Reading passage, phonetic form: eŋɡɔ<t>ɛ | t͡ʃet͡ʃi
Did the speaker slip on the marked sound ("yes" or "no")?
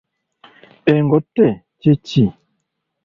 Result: no